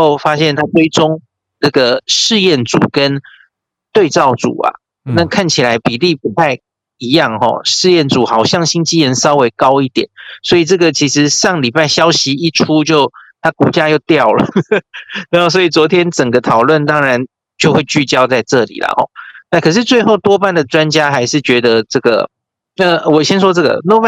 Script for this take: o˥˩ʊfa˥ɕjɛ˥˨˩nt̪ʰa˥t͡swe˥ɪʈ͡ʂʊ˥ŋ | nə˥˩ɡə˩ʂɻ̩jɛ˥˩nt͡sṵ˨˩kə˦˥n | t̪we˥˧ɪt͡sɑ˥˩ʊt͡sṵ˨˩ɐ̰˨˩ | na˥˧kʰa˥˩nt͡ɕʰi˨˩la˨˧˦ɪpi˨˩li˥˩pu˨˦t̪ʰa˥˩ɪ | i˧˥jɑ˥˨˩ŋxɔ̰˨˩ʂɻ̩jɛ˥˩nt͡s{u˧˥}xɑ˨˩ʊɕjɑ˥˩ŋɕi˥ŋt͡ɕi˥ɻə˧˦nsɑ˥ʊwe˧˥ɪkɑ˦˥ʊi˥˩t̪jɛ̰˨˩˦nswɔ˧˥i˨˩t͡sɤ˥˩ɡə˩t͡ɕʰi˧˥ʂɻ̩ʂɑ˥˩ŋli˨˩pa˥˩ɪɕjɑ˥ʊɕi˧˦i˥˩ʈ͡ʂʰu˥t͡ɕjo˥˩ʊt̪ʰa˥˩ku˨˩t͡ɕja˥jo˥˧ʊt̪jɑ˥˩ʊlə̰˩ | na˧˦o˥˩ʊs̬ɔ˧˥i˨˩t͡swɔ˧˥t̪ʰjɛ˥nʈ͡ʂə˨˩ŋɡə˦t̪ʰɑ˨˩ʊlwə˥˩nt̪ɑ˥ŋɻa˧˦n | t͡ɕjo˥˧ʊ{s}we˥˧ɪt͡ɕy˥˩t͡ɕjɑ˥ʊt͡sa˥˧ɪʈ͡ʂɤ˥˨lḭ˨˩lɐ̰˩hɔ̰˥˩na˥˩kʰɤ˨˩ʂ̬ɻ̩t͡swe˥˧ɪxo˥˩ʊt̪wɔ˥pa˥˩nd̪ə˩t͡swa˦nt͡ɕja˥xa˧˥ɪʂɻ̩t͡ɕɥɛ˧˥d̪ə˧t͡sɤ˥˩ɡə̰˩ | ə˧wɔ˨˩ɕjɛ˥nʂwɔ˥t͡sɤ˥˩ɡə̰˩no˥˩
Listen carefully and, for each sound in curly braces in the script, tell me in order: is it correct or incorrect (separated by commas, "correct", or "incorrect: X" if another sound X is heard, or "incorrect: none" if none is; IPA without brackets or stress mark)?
incorrect: u˨˩, incorrect: x